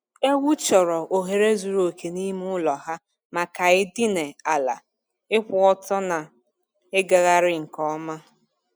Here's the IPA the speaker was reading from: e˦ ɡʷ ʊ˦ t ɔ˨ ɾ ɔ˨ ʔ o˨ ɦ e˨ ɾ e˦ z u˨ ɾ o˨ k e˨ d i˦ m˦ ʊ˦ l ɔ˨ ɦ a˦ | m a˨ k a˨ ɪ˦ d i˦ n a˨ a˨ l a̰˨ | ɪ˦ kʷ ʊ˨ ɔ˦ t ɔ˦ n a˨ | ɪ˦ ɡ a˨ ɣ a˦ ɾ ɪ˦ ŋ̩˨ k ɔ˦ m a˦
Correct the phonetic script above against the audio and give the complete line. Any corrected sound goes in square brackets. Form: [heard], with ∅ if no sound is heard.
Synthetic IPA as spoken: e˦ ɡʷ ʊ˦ [t͡ʃ] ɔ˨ ɾ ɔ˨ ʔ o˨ ɦ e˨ ɾ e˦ z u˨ ɾ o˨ k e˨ [n] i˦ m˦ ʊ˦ l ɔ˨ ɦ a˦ | m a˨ k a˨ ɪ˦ d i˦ n [e˨] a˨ l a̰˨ | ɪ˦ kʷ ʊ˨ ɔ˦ t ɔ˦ n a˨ | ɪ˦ ɡ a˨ ɣ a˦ ɾ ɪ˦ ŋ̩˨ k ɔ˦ m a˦